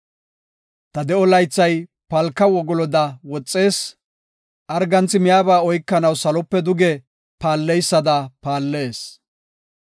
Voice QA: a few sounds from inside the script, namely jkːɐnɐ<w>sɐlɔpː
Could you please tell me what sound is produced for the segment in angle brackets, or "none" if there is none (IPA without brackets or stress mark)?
w